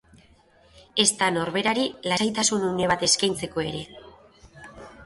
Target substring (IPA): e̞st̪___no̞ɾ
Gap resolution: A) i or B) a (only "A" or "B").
B